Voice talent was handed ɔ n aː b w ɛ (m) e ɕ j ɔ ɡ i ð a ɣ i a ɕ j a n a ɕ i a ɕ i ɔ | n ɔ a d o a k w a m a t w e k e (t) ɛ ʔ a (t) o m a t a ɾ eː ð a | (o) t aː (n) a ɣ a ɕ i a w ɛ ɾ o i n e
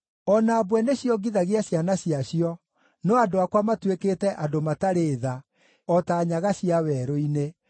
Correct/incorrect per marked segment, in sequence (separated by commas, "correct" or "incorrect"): incorrect, correct, incorrect, incorrect, incorrect